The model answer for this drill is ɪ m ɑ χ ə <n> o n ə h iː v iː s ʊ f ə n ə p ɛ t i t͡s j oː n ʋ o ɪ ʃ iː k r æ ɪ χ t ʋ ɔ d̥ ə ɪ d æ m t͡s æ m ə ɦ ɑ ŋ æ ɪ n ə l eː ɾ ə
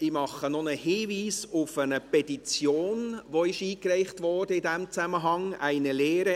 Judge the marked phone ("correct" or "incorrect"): correct